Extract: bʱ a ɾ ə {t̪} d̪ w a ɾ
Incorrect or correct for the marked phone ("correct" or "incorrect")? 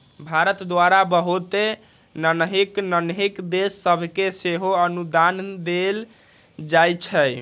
correct